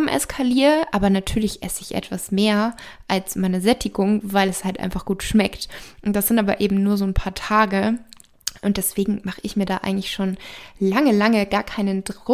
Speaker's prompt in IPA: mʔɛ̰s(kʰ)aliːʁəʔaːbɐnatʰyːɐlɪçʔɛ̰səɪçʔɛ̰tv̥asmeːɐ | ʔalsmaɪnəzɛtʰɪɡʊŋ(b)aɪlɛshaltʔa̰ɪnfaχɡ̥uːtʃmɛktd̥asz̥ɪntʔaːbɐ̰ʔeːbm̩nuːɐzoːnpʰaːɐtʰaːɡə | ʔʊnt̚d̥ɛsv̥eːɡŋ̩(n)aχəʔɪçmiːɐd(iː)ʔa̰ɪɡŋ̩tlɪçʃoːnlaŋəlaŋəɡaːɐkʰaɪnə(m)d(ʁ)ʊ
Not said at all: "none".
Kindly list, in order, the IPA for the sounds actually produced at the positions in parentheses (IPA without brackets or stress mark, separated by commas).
kʰ, v, m, aː, n, ʁ